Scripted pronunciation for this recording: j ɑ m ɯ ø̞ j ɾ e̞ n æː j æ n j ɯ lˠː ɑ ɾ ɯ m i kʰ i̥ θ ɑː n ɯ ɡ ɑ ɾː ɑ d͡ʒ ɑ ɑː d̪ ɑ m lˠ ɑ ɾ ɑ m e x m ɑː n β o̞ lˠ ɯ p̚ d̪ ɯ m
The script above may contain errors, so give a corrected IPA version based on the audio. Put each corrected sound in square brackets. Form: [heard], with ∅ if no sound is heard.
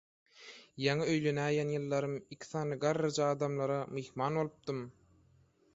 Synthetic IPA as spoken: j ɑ [ŋ] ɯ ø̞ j [l] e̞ n æː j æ n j ɯ lˠː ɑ ɾ ɯ m i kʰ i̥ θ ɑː n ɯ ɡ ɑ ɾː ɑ d͡ʒ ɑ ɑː d̪ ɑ m lˠ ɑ ɾ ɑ m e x m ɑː n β o̞ lˠ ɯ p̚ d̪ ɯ m